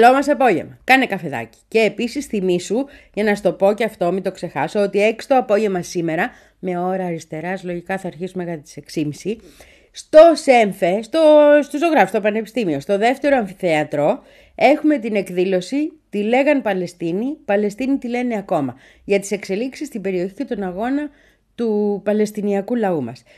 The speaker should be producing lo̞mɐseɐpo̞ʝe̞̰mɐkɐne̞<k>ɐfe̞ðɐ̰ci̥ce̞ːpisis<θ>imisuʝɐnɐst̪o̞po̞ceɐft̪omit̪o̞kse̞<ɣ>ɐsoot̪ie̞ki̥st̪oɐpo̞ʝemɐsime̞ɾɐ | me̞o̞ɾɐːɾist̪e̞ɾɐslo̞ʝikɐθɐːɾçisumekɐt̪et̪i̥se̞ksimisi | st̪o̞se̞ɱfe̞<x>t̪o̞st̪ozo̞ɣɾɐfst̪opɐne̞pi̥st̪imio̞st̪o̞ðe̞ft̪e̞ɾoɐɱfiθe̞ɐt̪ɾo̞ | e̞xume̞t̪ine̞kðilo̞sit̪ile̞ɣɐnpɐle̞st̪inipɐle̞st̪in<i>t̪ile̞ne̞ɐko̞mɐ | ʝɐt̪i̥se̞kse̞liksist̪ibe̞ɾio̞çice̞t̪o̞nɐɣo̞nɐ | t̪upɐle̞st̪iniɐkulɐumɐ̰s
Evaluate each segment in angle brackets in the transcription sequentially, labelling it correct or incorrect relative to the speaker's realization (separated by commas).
correct, correct, incorrect, incorrect, correct